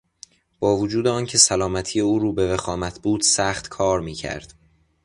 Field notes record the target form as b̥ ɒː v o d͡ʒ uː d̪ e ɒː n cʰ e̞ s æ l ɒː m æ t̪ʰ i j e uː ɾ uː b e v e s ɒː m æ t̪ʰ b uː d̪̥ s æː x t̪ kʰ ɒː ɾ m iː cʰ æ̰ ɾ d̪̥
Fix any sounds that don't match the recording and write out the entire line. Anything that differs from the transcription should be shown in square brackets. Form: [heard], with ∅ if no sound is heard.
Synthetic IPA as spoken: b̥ ɒː v o d͡ʒ uː d̪ e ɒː n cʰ e̞ s æ l ɒː m æ t̪ʰ i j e uː ɾ uː b e v e [x] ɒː m æ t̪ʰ b uː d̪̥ s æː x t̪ kʰ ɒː ɾ m iː cʰ æ̰ ɾ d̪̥

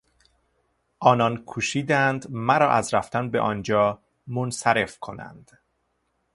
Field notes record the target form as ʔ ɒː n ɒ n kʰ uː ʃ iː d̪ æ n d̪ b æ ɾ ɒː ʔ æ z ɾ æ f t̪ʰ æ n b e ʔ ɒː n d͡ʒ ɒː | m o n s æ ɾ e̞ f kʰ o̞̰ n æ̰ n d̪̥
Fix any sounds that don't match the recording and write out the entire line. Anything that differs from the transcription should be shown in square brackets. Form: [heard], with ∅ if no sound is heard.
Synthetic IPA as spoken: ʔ ɒː n ɒ n kʰ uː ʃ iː d̪ æ n d̪ [m] æ ɾ ɒː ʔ æ z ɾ æ f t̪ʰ æ n b e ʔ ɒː n d͡ʒ ɒː | m o n s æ ɾ e̞ f kʰ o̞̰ n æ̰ n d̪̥

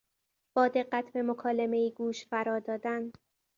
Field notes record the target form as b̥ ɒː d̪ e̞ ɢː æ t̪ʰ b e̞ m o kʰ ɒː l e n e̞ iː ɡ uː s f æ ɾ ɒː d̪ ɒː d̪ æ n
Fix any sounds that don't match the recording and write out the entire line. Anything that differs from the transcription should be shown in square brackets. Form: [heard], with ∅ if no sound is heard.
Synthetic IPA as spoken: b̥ ɒː d̪ e̞ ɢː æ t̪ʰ b e̞ m o kʰ ɒː l e [m] e̞ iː ɡ uː [ʃ] f æ ɾ ɒː d̪ ɒː d̪ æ n

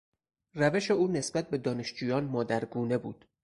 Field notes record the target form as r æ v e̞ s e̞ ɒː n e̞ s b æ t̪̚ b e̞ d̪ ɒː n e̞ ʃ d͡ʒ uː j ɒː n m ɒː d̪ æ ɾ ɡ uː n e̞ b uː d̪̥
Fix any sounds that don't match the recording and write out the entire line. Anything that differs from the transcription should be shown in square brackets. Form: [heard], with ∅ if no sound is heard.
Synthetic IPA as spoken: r æ v e̞ [ʃ] e̞ [uː] n e̞ s b æ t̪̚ b e̞ d̪ ɒː n e̞ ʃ d͡ʒ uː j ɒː n m ɒː d̪ æ ɾ ɡ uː n e̞ b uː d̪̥

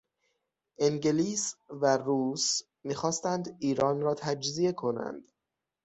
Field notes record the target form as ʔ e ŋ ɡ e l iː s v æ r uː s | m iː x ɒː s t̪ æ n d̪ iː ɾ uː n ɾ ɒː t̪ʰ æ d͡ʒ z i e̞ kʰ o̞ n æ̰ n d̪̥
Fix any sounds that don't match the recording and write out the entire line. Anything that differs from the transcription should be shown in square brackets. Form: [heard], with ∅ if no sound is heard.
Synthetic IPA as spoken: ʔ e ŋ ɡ e l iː s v æ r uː s | m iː x ɒː s t̪ æ n d̪ iː ɾ [ɒː] n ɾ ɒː t̪ʰ æ d͡ʒ z i e̞ kʰ o̞ n æ̰ n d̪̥

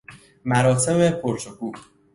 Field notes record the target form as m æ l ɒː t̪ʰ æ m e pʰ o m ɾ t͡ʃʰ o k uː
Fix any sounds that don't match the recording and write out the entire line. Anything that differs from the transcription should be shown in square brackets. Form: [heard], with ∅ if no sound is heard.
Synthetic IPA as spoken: m æ [ɾ] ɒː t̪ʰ [e] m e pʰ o [∅] ɾ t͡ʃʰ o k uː

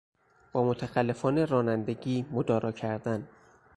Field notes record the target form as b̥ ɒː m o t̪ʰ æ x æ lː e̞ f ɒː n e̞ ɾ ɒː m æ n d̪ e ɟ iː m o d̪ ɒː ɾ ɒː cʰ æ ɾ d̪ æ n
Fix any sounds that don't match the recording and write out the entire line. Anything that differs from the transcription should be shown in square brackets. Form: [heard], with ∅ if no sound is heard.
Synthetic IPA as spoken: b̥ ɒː m o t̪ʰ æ x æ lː e̞ f ɒː n e̞ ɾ ɒː [n] æ n d̪ e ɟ iː m o d̪ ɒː ɾ ɒː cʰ æ ɾ d̪ æ n

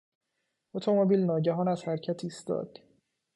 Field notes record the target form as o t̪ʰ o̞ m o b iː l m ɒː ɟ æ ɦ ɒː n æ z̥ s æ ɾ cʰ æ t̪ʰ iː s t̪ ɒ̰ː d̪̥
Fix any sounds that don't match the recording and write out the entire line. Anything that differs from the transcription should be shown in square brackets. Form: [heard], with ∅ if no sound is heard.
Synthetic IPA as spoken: o t̪ʰ o̞ m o b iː l [n] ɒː ɟ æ ɦ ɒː n æ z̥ [h] æ ɾ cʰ æ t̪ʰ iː s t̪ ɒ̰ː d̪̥

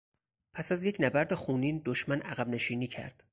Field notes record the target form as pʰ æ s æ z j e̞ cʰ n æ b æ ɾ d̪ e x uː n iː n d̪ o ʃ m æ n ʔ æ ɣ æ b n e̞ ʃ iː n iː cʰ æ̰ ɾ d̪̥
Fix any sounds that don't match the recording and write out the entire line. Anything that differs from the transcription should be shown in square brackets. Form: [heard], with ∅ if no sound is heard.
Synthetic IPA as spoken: pʰ æ s æ z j e̞ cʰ n æ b æ ɾ d̪ e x uː n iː n d̪ o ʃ m æ n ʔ æ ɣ æ b n e̞ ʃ iː n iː cʰ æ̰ ɾ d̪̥

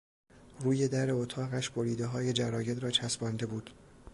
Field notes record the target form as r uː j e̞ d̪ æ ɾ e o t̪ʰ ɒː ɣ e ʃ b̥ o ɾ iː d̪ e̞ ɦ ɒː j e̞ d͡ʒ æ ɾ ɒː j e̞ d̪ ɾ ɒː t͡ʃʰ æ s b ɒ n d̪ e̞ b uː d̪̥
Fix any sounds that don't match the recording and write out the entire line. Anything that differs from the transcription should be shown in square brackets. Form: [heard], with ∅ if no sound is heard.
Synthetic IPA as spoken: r uː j e̞ d̪ æ ɾ e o t̪ʰ ɒː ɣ [æ] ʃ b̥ o ɾ iː d̪ e̞ ɦ ɒː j e̞ d͡ʒ æ ɾ ɒː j e̞ d̪ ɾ ɒː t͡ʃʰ æ s b ɒ n d̪ e̞ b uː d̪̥

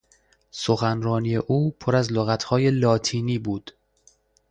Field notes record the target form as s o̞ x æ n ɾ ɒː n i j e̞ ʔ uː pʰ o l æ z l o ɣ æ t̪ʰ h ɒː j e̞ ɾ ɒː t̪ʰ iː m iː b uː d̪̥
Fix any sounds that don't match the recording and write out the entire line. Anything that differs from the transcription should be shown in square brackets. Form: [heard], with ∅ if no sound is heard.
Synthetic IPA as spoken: s o̞ x æ n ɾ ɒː n i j e̞ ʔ uː pʰ o [ɾ] æ z l o ɣ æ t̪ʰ h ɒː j e̞ [l] ɒː t̪ʰ iː [n] iː b uː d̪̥

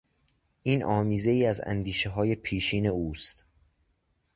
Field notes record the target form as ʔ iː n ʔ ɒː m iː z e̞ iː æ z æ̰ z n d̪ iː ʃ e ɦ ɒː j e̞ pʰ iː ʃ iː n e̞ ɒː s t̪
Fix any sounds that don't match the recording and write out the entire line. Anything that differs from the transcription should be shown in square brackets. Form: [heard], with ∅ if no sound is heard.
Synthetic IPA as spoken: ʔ iː n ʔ ɒː m iː z e̞ iː æ z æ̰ [∅] n d̪ iː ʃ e ɦ ɒː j e̞ pʰ iː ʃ iː n e̞ [uː] s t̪

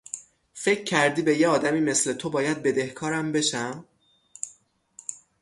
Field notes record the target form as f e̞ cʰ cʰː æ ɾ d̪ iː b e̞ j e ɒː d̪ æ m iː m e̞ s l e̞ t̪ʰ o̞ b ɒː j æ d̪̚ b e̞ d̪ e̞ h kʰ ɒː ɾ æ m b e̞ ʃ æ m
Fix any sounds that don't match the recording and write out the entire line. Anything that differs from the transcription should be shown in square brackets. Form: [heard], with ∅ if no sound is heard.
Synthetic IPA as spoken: f e̞ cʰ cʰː æ ɾ d̪ iː b e̞ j e ɒː d̪ æ m iː m e̞ s l e̞ t̪ʰ o̞ b ɒː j æ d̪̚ b e̞ d̪ e̞ h kʰ ɒː ɾ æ m b e̞ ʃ æ m

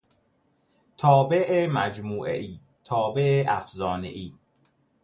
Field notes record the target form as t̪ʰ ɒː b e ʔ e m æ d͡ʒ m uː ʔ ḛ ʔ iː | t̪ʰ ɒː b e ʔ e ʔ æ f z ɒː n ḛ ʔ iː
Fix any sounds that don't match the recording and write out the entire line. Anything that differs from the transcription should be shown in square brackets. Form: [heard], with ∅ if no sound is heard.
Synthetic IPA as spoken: t̪ʰ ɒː b e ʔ e m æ d͡ʒ m uː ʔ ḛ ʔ iː | t̪ʰ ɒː b e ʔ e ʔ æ f z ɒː n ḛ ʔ iː

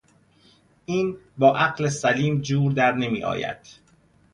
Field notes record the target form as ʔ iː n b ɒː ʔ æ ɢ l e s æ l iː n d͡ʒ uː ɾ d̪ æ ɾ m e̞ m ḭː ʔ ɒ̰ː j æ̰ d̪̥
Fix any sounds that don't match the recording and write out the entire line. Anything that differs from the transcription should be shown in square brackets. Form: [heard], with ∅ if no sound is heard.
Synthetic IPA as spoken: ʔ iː n b ɒː ʔ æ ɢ l e s æ l iː [m] d͡ʒ uː ɾ d̪ æ ɾ [n] e̞ m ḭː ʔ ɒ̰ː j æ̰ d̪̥

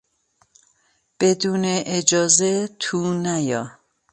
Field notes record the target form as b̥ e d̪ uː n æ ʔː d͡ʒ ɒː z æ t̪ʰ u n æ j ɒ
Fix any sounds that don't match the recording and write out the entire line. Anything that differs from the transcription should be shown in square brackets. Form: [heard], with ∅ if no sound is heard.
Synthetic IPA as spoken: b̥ e d̪ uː n [e] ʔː d͡ʒ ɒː z [e] t̪ʰ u n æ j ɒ

